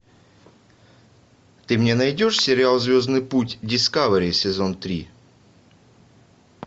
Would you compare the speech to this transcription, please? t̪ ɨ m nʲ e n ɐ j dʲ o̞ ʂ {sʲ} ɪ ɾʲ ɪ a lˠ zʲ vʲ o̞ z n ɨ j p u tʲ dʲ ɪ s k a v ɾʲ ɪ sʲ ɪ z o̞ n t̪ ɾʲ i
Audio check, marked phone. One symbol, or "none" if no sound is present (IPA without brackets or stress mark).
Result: sʲ